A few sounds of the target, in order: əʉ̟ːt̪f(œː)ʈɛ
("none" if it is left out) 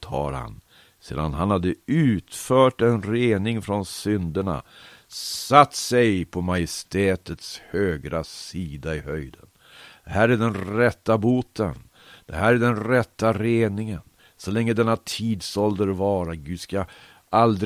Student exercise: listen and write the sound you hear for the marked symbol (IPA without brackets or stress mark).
œː